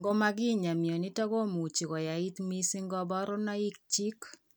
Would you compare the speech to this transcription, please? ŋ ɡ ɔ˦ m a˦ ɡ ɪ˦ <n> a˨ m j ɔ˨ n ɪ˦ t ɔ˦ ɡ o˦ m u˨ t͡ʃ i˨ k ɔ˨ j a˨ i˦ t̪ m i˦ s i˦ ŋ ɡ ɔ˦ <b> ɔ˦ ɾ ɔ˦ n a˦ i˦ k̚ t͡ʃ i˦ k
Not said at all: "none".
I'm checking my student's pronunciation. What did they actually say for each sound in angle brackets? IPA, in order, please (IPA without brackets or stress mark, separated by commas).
ɲ, b